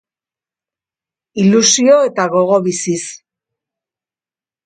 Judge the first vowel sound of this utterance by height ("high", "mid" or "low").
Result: high